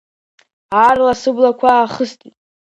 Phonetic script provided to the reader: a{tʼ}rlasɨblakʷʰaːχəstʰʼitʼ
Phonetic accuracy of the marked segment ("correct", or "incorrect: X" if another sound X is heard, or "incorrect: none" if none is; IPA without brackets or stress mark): incorrect: none